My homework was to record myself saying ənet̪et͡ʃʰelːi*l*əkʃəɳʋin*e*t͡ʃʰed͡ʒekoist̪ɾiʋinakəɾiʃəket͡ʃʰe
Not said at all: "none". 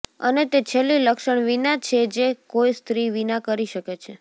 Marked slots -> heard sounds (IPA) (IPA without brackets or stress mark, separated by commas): l, a